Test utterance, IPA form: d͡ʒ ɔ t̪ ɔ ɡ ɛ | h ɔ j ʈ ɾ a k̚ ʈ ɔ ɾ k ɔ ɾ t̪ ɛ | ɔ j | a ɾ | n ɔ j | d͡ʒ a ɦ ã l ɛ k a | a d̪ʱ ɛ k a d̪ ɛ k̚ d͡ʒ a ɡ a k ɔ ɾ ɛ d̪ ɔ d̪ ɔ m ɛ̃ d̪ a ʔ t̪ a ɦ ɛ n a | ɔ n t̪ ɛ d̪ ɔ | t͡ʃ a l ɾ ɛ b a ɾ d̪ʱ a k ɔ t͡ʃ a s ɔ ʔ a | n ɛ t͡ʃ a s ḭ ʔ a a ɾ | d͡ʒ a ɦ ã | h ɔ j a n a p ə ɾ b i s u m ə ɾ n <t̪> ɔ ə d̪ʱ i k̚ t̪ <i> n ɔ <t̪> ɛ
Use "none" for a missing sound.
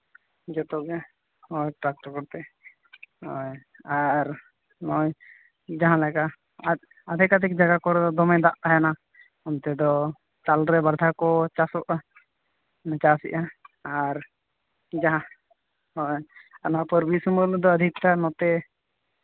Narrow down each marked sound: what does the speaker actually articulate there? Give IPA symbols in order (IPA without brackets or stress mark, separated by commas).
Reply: d̪, a, t̪